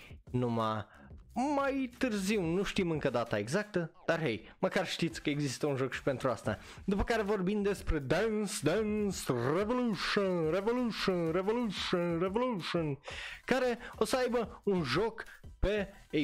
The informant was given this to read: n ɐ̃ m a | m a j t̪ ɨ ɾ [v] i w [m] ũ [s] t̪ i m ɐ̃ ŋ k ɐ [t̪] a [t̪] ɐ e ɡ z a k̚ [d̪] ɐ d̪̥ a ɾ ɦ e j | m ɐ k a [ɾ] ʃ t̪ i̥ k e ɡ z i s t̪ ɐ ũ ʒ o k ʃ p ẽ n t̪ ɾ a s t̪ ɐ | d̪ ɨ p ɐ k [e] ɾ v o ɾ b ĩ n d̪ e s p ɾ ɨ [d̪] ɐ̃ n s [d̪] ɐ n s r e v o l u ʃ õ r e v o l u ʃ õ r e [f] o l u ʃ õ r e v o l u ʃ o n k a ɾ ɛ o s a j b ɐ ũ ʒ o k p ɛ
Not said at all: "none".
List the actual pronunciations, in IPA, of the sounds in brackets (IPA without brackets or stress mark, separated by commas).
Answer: z, n, ʃ, d̪, t̪, t̪, ɾ, a, d̪, d̪, v